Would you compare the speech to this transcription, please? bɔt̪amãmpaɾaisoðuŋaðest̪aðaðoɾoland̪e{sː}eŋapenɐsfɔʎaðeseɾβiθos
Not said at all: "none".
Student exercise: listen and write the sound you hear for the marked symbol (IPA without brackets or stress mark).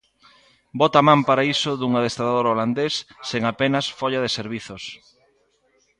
sː